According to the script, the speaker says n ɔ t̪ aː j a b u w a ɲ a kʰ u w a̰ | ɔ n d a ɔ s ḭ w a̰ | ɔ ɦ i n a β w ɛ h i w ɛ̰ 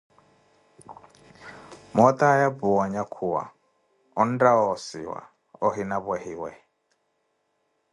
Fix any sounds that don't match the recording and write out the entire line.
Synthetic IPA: m ɔ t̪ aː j a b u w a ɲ a kʰ u w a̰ | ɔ n d a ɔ s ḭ w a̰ | ɔ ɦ i n a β w ɛ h i w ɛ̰